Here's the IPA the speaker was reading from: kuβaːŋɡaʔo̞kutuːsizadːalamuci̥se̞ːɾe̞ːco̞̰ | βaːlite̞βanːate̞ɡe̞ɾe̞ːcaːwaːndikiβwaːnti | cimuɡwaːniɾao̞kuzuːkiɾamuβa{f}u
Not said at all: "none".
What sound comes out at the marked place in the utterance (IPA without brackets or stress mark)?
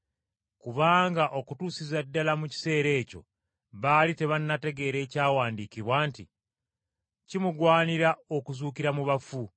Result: f